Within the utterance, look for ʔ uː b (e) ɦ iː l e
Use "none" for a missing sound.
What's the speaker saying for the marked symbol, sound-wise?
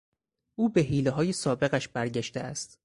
e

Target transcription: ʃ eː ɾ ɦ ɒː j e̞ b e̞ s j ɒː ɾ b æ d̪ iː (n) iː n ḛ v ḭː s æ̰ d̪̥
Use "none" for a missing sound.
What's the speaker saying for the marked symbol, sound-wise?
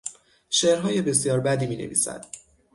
m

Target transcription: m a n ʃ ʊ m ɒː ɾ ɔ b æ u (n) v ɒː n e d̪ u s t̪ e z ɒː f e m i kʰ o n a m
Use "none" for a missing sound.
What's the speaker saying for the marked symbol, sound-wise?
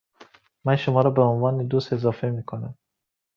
n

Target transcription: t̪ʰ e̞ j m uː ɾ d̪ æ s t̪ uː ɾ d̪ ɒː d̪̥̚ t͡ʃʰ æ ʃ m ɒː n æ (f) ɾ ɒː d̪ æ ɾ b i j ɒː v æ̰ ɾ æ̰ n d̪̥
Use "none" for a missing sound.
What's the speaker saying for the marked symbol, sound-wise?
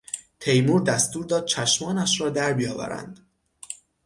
ʃ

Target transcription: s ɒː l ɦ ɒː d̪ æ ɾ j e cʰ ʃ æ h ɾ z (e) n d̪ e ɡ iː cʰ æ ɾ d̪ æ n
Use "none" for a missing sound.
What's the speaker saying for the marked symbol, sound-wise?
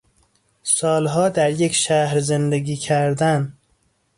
e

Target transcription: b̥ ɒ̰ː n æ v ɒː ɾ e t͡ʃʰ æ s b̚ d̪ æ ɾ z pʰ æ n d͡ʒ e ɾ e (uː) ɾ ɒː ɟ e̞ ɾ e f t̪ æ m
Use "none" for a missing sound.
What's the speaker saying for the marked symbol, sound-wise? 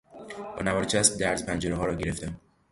ɒː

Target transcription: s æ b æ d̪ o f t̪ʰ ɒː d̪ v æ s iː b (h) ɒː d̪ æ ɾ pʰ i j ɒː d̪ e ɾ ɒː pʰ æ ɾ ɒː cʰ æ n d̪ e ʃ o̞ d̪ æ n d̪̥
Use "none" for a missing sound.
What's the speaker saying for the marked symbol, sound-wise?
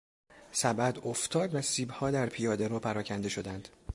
h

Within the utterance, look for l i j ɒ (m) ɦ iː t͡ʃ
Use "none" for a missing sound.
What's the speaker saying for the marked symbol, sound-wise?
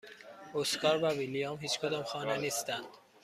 m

